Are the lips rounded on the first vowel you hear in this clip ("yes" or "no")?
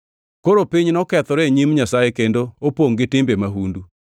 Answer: yes